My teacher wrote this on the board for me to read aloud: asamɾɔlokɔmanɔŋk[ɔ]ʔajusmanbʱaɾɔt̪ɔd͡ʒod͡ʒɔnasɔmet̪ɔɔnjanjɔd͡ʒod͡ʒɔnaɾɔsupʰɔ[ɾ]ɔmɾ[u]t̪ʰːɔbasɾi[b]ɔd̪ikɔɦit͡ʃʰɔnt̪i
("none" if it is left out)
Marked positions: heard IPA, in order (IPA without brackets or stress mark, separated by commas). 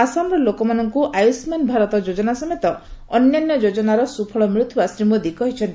u, ɭ, u, m